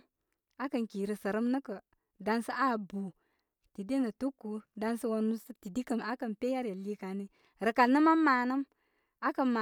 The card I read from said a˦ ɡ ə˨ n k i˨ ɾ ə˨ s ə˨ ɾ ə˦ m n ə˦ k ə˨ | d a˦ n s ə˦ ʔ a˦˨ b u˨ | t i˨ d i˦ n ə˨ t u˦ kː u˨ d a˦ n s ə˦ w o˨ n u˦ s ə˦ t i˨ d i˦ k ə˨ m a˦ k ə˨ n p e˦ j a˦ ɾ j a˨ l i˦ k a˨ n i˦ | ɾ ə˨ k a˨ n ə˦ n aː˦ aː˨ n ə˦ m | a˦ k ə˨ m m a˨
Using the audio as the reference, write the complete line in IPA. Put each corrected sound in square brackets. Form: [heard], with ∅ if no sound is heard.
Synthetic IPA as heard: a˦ [k] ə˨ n k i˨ ɾ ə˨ s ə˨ ɾ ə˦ m n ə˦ k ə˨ | d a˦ n s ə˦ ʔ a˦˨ b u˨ | t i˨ d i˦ n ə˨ t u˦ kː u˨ d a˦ n s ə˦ w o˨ n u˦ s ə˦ t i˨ d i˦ k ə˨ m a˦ k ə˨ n p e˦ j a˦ ɾ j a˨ l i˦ k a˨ n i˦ | ɾ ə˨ k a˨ n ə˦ [m] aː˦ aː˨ n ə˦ m | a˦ k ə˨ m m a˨

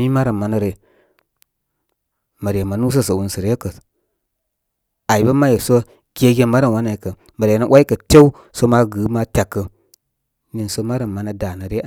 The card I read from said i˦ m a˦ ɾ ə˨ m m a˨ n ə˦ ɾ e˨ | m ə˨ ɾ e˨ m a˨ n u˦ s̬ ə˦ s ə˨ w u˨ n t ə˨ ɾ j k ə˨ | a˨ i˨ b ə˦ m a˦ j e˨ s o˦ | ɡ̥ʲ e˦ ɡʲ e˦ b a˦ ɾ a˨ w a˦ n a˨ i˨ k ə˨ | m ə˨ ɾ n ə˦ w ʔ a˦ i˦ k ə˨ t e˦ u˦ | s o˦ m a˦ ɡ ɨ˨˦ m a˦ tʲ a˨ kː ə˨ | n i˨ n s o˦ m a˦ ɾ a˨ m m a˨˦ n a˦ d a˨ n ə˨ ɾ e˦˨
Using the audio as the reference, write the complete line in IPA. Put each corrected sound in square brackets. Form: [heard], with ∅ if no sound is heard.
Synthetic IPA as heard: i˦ m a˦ ɾ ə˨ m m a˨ n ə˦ ɾ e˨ | m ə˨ ɾ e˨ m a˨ n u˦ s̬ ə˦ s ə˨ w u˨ n [s] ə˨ ɾ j k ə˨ | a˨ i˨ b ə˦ m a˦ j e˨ s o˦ | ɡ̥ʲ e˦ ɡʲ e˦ [m] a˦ ɾ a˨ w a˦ n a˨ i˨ k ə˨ | m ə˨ ɾ n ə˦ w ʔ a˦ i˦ k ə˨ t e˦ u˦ | s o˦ m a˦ ɡ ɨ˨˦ m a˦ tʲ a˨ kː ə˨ | n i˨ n s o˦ m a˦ ɾ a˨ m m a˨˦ n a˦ d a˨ n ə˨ ɾ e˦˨

